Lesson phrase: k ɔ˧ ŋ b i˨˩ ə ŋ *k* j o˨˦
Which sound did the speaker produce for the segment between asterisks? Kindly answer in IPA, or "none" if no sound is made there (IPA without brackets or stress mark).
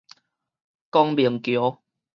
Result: k